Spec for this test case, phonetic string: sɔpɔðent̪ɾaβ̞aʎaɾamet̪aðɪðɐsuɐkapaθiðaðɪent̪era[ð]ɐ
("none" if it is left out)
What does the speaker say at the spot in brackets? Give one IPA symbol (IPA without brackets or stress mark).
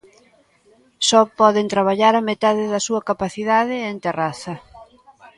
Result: θ